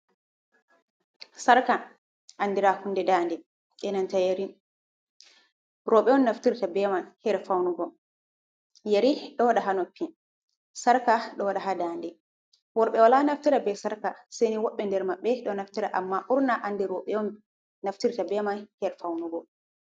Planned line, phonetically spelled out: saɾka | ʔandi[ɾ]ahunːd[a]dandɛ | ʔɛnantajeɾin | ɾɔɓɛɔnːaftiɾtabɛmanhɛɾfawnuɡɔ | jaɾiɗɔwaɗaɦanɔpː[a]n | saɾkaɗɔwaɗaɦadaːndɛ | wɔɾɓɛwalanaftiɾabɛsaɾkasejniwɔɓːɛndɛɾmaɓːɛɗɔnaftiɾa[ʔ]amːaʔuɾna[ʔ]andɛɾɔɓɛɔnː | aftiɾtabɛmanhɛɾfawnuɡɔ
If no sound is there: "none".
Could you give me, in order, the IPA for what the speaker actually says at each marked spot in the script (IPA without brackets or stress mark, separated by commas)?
ɾ, ɛ, i, ʔ, ʔ